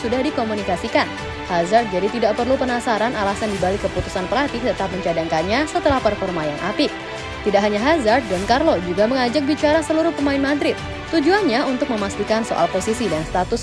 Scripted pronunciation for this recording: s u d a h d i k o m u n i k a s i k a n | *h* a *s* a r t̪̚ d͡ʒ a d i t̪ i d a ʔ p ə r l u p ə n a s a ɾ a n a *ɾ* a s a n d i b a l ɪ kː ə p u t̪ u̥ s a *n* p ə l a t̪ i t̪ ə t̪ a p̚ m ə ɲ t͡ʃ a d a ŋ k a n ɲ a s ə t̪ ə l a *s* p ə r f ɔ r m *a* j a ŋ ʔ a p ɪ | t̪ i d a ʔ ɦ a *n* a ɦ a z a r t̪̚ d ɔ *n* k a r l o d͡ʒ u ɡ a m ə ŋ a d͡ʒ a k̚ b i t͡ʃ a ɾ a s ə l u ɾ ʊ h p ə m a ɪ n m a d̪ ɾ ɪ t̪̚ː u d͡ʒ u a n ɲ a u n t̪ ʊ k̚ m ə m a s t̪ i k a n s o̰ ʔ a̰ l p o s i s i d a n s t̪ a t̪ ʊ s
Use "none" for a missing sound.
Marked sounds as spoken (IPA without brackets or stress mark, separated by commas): h, z, l, n, h, a, ɲ, n